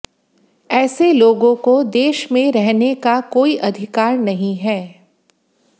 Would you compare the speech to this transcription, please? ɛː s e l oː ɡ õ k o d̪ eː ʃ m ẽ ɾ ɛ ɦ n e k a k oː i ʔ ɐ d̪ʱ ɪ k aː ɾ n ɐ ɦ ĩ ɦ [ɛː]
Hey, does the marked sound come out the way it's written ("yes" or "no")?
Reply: yes